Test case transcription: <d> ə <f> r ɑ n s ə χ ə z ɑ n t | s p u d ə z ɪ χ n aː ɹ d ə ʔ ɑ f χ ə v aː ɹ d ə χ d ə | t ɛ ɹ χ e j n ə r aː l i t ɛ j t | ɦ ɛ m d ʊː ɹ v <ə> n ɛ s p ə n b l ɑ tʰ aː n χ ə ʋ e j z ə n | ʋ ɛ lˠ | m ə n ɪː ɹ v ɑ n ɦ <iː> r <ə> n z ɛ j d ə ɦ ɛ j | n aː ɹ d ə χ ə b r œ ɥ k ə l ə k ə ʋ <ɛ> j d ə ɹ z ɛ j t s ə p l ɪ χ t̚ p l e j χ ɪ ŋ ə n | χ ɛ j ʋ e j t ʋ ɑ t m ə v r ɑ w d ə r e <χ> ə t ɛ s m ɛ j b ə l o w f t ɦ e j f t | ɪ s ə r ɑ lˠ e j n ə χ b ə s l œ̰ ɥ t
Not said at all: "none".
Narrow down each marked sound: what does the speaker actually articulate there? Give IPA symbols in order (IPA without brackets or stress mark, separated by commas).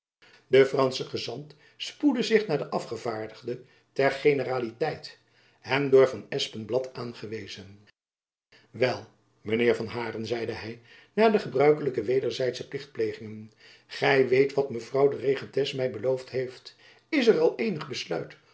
d, f, ɑ, aː, ə, e, χ